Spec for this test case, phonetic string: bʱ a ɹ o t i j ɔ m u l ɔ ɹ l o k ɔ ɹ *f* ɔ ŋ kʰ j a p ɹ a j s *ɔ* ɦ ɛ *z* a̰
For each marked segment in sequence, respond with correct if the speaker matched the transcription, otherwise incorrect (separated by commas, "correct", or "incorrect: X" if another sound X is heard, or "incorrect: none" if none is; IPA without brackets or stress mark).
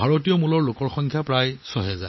incorrect: x, correct, correct